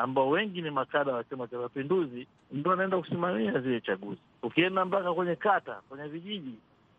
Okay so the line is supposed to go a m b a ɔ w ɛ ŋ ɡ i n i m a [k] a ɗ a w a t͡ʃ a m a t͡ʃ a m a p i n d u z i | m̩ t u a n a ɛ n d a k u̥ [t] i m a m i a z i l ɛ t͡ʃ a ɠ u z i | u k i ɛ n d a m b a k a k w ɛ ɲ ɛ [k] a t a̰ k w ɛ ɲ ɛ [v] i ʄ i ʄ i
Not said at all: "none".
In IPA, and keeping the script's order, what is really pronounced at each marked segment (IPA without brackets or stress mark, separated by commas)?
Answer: k, s, k, v